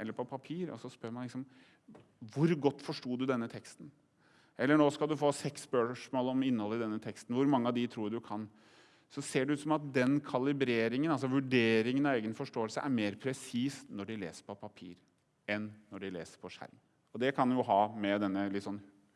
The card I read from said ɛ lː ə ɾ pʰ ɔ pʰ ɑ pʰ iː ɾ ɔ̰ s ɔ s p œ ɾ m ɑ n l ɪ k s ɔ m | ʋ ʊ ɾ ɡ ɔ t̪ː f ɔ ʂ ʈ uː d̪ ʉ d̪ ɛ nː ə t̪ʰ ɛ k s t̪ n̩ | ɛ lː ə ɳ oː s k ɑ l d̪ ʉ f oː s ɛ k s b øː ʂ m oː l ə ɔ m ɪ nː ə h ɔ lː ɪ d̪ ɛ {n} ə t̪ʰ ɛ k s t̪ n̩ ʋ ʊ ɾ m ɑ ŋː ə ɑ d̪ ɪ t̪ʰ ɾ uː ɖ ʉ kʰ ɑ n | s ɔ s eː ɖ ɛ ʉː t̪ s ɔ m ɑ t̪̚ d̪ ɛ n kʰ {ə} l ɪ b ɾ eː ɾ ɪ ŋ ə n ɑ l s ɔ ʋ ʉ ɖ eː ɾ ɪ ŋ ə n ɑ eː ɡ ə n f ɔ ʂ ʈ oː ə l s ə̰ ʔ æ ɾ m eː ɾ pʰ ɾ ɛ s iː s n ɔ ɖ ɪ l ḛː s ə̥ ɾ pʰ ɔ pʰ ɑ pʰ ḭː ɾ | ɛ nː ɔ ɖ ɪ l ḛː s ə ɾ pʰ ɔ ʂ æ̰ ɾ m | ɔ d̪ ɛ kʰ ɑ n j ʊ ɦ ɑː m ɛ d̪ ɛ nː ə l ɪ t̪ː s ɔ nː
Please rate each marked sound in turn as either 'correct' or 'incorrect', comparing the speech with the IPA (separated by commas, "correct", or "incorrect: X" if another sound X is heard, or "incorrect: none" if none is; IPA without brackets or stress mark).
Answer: incorrect: nː, incorrect: ɑ